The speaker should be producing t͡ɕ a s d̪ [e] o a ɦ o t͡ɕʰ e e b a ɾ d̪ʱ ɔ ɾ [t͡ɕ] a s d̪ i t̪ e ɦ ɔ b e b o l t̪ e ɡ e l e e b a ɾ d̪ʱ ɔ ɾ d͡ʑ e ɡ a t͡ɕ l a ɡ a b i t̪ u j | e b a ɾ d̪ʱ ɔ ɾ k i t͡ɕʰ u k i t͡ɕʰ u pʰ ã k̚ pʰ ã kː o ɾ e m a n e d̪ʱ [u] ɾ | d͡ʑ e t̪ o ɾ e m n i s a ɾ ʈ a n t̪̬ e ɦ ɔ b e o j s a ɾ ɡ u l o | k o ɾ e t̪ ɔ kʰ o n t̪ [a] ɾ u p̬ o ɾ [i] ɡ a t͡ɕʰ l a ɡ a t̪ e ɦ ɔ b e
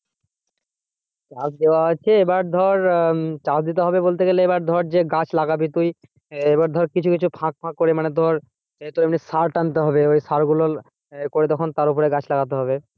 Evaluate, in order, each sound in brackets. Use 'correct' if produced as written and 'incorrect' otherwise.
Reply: correct, correct, incorrect, correct, incorrect

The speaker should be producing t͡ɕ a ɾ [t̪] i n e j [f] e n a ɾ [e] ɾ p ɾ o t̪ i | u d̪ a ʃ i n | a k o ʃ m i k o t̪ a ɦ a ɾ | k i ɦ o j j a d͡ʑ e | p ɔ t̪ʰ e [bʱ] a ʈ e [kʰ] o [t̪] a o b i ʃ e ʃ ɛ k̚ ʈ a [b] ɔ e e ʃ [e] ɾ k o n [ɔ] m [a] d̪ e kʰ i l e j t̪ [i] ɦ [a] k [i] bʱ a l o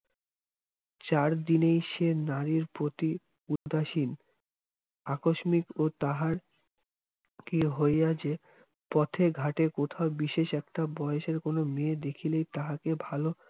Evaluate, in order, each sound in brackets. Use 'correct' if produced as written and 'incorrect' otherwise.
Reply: incorrect, incorrect, incorrect, incorrect, incorrect, incorrect, correct, correct, incorrect, incorrect, incorrect, correct, incorrect

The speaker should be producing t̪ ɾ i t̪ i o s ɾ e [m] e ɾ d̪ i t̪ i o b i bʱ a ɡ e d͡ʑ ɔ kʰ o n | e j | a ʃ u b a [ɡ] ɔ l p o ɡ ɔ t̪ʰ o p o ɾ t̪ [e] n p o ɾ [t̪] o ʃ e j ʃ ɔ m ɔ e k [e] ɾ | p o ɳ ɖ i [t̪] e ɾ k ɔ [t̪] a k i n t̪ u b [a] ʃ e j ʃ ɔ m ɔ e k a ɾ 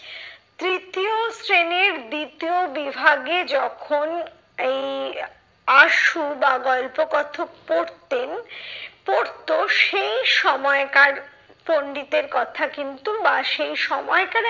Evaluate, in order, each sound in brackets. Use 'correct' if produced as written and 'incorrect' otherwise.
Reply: incorrect, correct, correct, correct, incorrect, correct, incorrect, correct

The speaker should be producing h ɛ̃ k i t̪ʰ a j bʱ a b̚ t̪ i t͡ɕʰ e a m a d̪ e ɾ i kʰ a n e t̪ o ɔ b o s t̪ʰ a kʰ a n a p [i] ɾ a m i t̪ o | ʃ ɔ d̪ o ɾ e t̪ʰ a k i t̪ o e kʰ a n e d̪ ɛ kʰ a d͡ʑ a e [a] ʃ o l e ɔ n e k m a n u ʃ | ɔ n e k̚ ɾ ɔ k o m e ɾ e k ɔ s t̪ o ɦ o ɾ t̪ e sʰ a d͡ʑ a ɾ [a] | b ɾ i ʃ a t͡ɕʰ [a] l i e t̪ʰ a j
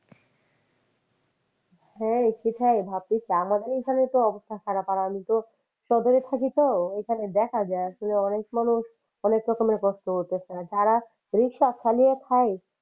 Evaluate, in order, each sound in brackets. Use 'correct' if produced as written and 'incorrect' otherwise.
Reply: incorrect, correct, correct, correct

